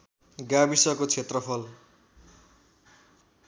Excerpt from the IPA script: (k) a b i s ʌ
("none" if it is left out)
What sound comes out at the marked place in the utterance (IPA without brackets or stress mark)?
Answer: ɡ